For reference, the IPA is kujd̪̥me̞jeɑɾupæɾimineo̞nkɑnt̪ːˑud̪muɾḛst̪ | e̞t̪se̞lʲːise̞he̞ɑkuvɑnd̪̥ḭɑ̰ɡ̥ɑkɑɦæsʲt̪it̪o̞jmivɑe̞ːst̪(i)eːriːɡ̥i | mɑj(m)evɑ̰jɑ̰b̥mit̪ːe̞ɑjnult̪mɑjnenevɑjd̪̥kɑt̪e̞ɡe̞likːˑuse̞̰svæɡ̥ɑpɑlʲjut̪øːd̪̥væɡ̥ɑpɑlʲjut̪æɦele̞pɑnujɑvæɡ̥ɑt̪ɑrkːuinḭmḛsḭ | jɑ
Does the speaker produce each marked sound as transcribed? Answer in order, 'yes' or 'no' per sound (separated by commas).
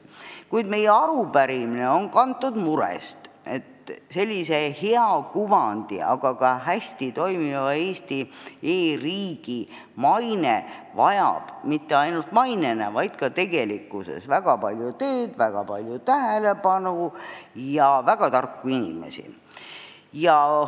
yes, no